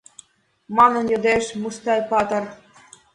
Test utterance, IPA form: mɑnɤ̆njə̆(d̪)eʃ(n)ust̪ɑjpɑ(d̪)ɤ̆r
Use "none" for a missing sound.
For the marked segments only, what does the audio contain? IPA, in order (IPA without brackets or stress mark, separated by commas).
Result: d̪, m, t̪